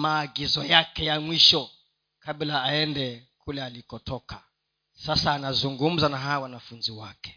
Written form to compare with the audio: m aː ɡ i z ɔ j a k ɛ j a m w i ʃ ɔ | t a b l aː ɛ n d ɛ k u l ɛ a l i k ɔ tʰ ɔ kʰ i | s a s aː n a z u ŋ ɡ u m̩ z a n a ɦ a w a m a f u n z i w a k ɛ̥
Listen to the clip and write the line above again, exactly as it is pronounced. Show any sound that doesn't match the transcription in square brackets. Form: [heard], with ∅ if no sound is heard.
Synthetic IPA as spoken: m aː ɡ i z ɔ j a k ɛ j a m w i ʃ ɔ | [k] a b l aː ɛ n d ɛ k u l ɛ a l i k ɔ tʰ ɔ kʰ [a] | s a s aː n a z u ŋ ɡ u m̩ z a n a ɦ a w a [n] a f u n z i w a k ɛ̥